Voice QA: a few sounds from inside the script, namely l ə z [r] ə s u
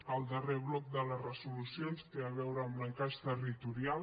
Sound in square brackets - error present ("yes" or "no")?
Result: no